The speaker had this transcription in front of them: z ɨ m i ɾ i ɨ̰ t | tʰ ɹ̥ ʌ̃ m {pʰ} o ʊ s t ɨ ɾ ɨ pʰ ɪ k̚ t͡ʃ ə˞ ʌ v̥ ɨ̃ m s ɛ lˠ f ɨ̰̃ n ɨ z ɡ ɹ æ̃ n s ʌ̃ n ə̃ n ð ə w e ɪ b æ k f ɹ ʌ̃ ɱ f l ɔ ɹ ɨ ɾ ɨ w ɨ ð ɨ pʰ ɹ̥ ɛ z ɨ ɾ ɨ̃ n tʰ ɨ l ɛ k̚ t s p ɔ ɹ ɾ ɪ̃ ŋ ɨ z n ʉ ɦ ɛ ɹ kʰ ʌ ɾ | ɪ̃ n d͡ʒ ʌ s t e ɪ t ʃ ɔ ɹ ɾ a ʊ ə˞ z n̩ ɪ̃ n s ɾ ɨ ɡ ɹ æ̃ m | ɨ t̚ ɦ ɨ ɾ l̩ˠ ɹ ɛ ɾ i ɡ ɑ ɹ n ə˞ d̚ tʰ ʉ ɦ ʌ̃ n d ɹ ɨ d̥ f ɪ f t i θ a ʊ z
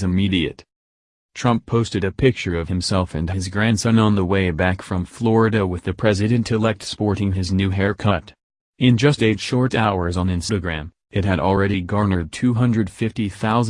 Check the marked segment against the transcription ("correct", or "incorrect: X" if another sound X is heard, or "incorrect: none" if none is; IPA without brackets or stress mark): correct